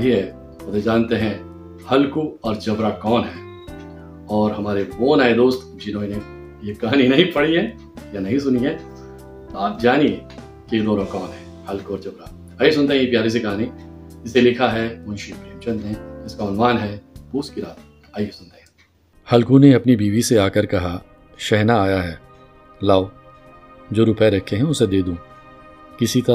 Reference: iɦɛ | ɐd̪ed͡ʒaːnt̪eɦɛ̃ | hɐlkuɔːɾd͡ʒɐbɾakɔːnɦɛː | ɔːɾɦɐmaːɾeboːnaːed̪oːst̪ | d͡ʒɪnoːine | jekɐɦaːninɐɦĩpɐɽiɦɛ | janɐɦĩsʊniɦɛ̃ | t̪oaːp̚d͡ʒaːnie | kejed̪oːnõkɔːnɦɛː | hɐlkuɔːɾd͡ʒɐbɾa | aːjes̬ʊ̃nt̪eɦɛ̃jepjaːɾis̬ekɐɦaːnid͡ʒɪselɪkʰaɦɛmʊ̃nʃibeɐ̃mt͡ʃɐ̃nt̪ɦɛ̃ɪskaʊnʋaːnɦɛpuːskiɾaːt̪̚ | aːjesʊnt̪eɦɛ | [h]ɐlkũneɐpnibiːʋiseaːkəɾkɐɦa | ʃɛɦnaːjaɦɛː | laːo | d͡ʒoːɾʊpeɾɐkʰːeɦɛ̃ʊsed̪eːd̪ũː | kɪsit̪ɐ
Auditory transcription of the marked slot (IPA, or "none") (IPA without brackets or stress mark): h